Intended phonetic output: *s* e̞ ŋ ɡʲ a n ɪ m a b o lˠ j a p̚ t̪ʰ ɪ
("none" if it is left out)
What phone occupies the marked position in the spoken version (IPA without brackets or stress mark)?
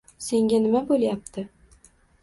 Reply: s